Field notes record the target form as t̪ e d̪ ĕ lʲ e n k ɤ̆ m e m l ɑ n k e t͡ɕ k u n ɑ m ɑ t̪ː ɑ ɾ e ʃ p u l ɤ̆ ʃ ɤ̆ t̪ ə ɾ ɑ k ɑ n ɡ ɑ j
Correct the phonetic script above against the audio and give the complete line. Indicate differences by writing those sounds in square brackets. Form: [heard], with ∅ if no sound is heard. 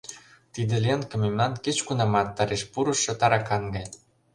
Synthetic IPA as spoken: t̪ [i] d̪ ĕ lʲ e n k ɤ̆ m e m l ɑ n k e t͡ɕ k u n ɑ m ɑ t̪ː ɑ ɾ e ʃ p u [ɾ] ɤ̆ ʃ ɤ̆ t̪ [ɑ] ɾ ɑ k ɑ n ɡ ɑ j